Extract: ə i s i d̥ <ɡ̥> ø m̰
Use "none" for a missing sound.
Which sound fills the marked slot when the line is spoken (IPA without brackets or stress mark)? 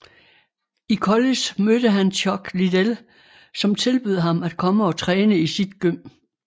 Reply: ɡ̥